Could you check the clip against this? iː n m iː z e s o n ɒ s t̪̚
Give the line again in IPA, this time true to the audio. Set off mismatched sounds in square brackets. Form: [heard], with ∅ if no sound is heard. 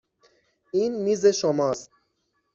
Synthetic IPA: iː n m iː z e [ʃ] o [m] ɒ s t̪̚